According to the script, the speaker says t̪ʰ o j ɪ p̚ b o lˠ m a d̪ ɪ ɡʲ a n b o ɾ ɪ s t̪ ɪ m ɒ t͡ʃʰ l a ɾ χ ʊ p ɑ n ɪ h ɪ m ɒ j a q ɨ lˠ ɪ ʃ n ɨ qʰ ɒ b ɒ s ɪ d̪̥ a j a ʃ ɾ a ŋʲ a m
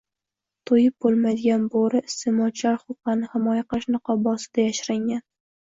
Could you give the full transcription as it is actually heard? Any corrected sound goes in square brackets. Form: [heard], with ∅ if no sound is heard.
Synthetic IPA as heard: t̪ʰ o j ɪ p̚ b o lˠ m a d̪ ɪ ɡʲ a n b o ɾ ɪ s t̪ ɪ m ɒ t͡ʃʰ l a ɾ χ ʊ [q] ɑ n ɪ h ɪ m ɒ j a q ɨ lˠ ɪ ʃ n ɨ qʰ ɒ b ɒ s ɪ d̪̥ a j a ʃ ɾ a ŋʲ a [n]

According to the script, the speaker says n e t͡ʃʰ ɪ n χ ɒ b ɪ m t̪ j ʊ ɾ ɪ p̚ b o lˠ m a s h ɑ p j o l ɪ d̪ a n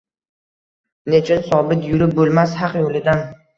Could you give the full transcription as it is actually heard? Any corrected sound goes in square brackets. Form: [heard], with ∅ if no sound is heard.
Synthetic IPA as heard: n e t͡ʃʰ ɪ n [s] ɒ b ɪ [∅] t̪ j ʊ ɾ ɪ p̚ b o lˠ m a s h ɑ [q] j o l ɪ d̪ a n

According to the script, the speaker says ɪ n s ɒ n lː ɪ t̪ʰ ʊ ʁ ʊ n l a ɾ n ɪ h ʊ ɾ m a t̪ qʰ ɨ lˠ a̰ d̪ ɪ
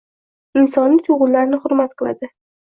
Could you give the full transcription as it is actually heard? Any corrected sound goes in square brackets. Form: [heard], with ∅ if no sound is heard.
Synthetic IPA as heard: ɪ n s ɒ n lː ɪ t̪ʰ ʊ ʁ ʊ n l a ɾ n ɪ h ʊ ɾ m a t̪ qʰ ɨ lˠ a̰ d̪ ɪ

